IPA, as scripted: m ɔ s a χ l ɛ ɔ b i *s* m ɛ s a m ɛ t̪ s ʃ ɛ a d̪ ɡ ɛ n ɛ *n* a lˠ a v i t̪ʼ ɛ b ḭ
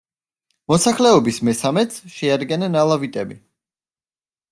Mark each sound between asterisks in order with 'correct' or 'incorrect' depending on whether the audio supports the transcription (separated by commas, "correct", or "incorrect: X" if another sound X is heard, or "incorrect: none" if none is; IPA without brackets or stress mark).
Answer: correct, correct